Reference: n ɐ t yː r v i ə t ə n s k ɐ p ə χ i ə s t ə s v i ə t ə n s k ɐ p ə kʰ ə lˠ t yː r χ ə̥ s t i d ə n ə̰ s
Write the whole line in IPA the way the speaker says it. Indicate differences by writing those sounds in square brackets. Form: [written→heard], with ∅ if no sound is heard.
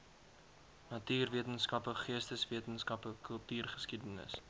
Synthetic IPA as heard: n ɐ t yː r v i ə t ə n s k ɐ p ə χ i ə s t ə s v i ə t ə n s k ɐ p ə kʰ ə lˠ t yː r χ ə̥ s [t→k] i d ə n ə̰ s